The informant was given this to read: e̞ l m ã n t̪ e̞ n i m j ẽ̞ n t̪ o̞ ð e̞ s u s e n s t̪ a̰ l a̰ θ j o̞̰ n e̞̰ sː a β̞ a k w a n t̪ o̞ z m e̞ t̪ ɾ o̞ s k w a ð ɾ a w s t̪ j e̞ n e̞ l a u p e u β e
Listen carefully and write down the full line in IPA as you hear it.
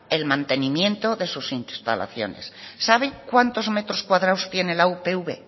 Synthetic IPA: e̞ l m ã n t̪ e̞ n i m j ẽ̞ n t̪ o̞ ð e̞ s u s i n s t̪ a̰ l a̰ θ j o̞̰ n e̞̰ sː a β̞ e k w a n t̪ o̞ z m e̞ t̪ ɾ o̞ s k w a ð ɾ a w s t̪ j e̞ n e̞ l a u p e u β e

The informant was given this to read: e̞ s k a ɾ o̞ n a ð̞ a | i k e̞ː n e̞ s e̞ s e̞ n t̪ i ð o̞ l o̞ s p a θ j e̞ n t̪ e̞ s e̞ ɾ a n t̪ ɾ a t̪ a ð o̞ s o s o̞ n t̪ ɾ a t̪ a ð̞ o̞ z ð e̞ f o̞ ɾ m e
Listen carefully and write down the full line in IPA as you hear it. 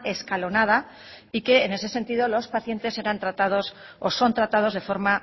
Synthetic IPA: e̞ s k a l o̞ n a ð̞ a | i k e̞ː n e̞ s e̞ s e̞ n t̪ i ð o̞ l o̞ s p a θ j e̞ n t̪ e̞ s e̞ ɾ a n t̪ ɾ a t̪ a ð o̞ s o s o̞ n t̪ ɾ a t̪ a ð̞ o̞ z ð e̞ f o̞ ɾ m a

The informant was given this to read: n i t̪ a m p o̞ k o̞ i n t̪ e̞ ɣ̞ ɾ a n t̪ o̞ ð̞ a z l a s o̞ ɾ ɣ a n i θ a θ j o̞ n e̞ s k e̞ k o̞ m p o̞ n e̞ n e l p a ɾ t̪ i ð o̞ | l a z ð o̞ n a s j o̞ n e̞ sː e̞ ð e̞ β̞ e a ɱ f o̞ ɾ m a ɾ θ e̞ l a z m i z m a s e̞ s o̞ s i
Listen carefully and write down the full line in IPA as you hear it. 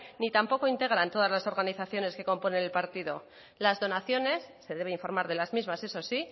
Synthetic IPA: n i t̪ a m p o̞ k o̞ i n t̪ e̞ ɣ̞ ɾ a n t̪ o̞ ð̞ a z l a s o̞ ɾ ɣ a n i θ a θ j o̞ n e̞ s k e̞ k o̞ m p o̞ n e̞ n e l p a ɾ t̪ i ð o̞ | l a z ð o̞ n a θ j o̞ n e̞ sː e̞ ð e̞ β̞ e i ɱ f o̞ ɾ m a ɾ ð e̞ l a z m i z m a s e̞ s o̞ s i

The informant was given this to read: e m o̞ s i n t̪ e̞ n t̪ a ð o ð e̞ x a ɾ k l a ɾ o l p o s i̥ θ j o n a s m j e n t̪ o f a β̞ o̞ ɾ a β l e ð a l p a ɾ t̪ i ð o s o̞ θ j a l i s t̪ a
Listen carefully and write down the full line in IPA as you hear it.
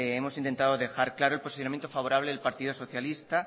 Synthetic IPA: e m o̞ s i n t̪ e̞ n t̪ a ð o ð e̞ x a ɾ k l a ɾ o l p o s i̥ θ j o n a m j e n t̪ o f a β̞ o̞ ɾ a β l e ð e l p a ɾ t̪ i ð o s o̞ θ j a l i s t̪ a

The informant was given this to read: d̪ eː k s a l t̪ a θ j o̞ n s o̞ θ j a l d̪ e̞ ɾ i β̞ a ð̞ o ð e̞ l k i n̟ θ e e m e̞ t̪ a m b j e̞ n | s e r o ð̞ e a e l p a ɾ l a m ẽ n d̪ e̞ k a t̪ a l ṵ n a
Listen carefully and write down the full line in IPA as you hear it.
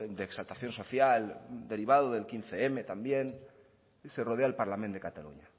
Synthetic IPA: d̪ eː k s a l t̪ a θ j o̞ n s o̞ θ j a l d̪ e̞ ɾ i β̞ a ð̞ o ð e̞ l k i n̟ θ e e m e̞ t̪ a m b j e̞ n | s e r o ð̞ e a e l p a ɾ l a m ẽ n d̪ e̞ k a t̪ a l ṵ ɲ a

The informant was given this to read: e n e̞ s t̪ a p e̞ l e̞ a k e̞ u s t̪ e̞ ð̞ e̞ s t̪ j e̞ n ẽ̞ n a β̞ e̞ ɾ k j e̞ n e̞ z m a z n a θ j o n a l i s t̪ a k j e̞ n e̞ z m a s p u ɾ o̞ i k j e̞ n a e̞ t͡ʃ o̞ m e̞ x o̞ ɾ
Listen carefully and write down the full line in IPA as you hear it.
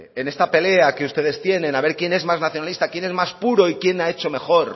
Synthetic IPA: e n e̞ s t̪ a p e̞ l e̞ a k e̞ u s t̪ e̞ ð̞ e̞ s t̪ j e̞ n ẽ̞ n a β̞ e̞ ɾ k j e̞ n e̞ z m a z n a θ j o n a l i s t̪ a k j e̞ n e̞ z m a s p u ɾ o̞ i k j e̞ n a e̞ t͡ʃ o̞ m e̞ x o̞ ɾ

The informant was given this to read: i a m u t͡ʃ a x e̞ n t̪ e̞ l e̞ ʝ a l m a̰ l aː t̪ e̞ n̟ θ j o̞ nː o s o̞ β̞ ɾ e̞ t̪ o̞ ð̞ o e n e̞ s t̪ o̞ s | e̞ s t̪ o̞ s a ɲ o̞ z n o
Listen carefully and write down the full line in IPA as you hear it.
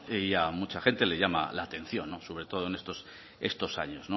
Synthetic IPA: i a m u t͡ʃ a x e̞ n t̪ e̞ l e̞ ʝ a m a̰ l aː t̪ e̞ n̟ θ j o̞ nː o s o̞ β̞ ɾ e̞ t̪ o̞ ð̞ o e n e̞ s t̪ o̞ s | e̞ s t̪ o̞ s a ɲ o̞ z n o

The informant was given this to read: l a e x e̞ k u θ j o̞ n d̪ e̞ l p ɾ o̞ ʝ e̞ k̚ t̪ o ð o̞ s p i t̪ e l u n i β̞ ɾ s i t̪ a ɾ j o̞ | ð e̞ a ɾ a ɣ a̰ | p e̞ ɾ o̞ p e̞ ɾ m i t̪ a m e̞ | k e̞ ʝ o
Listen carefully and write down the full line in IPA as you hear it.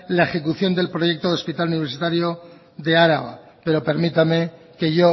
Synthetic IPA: l a e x e̞ k u θ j o̞ n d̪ e̞ l p ɾ o̞ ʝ e̞ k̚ t̪ o ð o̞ s p i t̪ a l u n i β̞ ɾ s i t̪ a ɾ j o̞ | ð e̞ a ɾ a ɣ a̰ | p e̞ ɾ o̞ p e̞ ɾ m i t̪ a m e̞ | k e̞ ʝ o

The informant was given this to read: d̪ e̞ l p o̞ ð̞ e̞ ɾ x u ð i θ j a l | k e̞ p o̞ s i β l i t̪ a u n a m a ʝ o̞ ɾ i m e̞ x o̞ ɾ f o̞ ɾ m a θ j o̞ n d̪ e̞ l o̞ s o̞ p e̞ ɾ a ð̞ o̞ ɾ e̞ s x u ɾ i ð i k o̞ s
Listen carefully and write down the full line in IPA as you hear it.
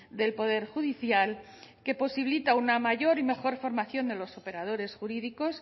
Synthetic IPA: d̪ e̞ l p o̞ ð̞ e̞ ɾ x u ð i θ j a l | k e̞ p o̞ s i β l i t̪ a u n a m a ʝ o̞ ɾ i m e̞ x o̞ ɾ f o̞ ɾ m a θ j o̞ n d̪ e̞ l o̞ s o̞ p e̞ ɾ a ð̞ o̞ ɾ e̞ s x u ɾ i ð i k o̞ s

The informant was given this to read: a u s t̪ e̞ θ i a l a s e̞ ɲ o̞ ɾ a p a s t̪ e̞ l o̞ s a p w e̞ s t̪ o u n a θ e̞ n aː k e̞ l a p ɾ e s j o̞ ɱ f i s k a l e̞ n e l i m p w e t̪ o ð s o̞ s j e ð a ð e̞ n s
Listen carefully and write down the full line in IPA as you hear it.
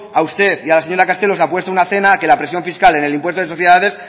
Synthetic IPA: a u s t̪ e̞ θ i a l a s e̞ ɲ o̞ ɾ a k a s t̪ e̞ l o̞ s a p w e̞ s t̪ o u n a θ e̞ n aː k e̞ l a p ɾ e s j o̞ ɱ f i s k a l e̞ n e l i m p w e t̪ o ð s o̞ θ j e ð a ð e̞ s

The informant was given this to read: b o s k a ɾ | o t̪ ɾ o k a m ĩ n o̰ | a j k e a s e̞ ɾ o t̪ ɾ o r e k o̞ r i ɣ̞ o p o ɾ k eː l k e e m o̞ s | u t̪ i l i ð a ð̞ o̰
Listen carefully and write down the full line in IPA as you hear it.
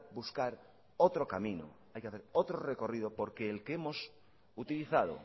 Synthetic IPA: b u s k a ɾ | o t̪ ɾ o k a m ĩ n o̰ | a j k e a θ e̞ ɾ o t̪ ɾ o r e k o̞ r i ð̞ o p o ɾ k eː l k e e m o̞ s | u t̪ i l i θ a ð̞ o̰

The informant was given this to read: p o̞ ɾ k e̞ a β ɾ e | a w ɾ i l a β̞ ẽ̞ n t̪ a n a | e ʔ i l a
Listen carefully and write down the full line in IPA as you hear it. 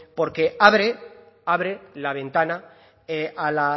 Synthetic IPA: p o̞ ɾ k e̞ a β ɾ e | a β ɾ e l a β̞ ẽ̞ n t̪ a n a | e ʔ a l a

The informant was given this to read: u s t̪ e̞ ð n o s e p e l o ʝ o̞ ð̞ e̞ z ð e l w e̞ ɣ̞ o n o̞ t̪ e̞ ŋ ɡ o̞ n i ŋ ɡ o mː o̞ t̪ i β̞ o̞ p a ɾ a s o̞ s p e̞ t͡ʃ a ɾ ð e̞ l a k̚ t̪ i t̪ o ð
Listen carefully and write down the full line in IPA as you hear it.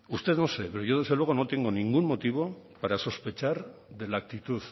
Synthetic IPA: u s t̪ e̞ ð n o s e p e ɾ o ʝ o̞ ð̞ e̞ z ð e l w e̞ ɣ̞ o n o̞ t̪ e̞ ŋ ɡ o̞ n i ŋ ɡ u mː o̞ t̪ i β̞ o̞ p a ɾ a s o̞ s p e̞ t͡ʃ a ɾ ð e̞ l a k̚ t̪ i t̪ u ð

